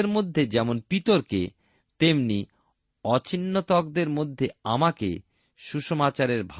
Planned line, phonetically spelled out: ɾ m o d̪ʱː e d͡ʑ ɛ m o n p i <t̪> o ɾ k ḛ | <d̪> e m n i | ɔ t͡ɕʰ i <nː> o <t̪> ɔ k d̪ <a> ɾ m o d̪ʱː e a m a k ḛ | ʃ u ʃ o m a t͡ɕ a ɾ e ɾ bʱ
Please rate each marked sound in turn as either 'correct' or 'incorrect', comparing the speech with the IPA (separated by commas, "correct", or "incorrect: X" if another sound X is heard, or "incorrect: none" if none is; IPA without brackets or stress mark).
correct, incorrect: t̪, correct, correct, incorrect: e